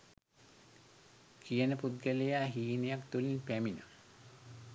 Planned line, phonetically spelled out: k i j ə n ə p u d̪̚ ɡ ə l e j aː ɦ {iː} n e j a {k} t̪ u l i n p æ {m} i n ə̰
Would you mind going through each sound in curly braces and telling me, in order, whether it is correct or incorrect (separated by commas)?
correct, correct, correct